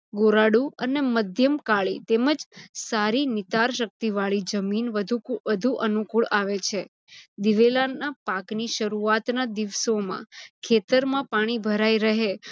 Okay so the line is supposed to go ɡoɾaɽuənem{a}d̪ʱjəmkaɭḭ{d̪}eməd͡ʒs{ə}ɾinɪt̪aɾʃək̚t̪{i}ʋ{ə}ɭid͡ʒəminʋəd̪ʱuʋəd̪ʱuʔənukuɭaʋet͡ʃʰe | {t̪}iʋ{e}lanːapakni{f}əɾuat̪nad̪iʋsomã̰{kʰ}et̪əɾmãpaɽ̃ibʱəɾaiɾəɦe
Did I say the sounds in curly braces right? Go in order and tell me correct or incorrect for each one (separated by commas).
incorrect, incorrect, incorrect, correct, incorrect, incorrect, correct, incorrect, correct